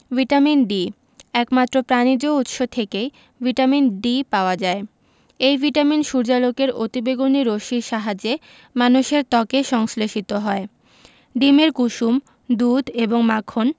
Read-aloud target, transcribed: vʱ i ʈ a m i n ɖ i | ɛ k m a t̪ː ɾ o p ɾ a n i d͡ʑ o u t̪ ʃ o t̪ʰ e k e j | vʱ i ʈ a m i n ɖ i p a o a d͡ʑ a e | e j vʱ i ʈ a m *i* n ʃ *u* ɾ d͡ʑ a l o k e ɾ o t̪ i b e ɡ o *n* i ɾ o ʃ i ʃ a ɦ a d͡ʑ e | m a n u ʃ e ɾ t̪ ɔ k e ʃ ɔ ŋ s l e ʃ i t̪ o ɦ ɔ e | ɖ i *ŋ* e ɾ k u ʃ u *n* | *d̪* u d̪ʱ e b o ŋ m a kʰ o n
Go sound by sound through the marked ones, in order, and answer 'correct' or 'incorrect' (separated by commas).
correct, correct, correct, incorrect, incorrect, correct